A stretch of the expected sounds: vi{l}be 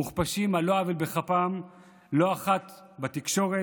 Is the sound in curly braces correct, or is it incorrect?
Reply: correct